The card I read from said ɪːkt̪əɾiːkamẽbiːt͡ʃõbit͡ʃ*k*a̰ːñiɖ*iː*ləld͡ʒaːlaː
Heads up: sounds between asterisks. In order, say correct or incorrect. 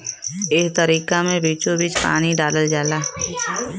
incorrect: p, incorrect: aː

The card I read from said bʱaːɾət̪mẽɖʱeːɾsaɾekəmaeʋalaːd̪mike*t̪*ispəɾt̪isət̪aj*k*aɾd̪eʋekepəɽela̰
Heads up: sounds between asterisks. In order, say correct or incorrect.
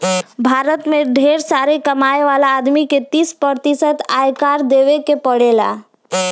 correct, correct

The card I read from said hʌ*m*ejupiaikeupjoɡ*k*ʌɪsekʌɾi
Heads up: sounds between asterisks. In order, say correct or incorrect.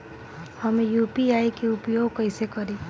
correct, correct

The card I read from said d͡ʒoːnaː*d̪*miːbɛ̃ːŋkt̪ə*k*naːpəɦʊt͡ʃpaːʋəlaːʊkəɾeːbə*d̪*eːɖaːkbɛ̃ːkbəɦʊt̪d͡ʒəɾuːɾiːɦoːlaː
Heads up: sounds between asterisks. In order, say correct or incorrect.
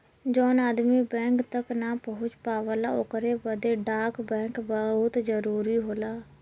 correct, correct, correct

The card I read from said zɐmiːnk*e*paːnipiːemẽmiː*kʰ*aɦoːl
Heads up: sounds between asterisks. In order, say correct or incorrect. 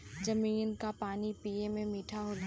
incorrect: a, incorrect: ʈʰ

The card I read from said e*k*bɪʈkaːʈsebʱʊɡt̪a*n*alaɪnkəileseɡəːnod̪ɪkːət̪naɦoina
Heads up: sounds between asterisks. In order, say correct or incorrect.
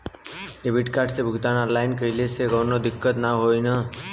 incorrect: none, correct

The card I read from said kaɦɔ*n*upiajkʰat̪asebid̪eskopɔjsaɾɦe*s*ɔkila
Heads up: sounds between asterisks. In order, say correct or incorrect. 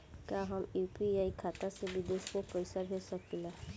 incorrect: m, correct

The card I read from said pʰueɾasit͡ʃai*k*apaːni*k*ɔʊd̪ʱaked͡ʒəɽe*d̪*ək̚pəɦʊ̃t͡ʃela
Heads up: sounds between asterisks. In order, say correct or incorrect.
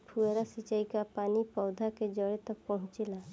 correct, incorrect: p, incorrect: t̪

